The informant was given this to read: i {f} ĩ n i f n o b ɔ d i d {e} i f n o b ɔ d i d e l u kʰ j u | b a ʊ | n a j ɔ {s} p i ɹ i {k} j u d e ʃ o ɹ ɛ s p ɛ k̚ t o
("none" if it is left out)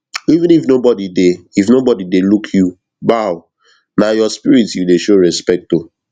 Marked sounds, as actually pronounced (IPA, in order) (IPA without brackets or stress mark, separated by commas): v, e, s, t